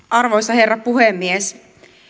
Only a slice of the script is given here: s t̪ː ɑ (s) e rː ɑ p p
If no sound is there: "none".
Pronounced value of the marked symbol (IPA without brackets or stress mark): h